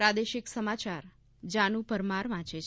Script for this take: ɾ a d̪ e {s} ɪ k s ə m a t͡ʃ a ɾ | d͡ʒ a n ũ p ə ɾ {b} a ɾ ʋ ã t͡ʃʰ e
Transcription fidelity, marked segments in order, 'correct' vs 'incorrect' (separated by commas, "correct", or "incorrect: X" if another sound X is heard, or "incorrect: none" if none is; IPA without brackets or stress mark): incorrect: ʃ, incorrect: m